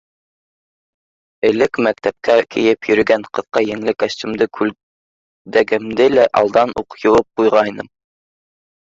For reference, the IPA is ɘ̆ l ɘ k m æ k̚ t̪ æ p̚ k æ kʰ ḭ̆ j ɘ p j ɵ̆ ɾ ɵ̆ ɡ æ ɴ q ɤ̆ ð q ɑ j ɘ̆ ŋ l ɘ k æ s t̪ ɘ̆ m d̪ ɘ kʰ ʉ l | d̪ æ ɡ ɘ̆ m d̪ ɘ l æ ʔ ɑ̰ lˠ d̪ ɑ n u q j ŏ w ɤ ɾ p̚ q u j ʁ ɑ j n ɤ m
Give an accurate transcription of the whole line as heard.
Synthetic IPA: ɘ̆ l ɘ k m æ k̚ t̪ æ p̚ k æ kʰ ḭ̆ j ɘ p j ɵ̆ ɾ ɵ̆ ɡ æ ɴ q ɤ̆ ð q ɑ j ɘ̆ ŋ l ɘ k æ s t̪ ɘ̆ m d̪ ɘ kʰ ʉ l | d̪ æ ɡ ɘ̆ m d̪ ɘ l æ ʔ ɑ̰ lˠ d̪ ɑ n u q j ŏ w ɤ p̚ q u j ʁ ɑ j n ɤ m